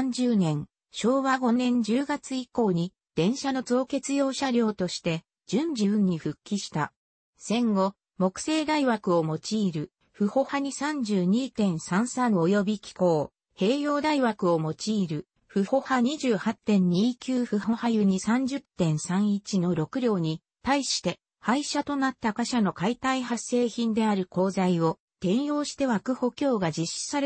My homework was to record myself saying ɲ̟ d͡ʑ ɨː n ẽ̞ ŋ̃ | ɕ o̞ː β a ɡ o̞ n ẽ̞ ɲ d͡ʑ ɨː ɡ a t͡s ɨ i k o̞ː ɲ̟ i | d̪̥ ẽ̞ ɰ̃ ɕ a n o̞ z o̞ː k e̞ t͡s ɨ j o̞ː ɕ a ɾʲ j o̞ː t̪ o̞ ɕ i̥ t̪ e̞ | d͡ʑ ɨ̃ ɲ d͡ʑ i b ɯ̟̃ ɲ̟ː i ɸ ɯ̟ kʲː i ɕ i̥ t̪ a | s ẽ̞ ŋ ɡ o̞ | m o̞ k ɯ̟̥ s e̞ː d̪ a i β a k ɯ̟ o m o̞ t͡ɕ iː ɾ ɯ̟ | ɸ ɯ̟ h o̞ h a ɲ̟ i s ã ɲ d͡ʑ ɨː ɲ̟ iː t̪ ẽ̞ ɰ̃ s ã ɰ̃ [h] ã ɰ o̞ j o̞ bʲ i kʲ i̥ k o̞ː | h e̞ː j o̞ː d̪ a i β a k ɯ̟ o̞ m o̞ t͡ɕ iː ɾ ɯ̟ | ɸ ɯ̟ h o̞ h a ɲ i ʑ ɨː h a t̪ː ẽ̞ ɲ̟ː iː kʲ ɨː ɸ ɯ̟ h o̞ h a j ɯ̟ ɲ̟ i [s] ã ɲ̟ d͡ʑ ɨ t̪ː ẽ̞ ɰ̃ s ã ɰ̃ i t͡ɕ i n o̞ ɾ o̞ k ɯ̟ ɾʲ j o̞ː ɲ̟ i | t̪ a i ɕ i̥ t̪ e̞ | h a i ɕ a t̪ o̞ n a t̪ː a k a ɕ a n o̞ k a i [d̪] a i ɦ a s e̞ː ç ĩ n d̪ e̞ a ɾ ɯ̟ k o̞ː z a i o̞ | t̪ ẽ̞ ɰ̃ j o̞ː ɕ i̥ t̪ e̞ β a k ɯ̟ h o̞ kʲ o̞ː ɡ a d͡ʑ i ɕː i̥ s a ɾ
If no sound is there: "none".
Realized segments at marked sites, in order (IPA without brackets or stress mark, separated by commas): s, s, t̪